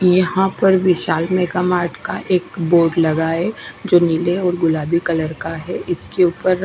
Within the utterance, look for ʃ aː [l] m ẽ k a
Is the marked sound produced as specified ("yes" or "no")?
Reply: yes